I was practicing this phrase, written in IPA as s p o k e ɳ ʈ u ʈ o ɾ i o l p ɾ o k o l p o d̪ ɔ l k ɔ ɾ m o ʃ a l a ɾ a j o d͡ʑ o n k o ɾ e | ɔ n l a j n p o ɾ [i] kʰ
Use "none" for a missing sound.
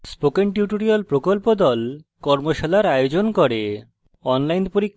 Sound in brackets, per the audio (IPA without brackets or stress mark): i